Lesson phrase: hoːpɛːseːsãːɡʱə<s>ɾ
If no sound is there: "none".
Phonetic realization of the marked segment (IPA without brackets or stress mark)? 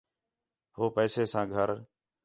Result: none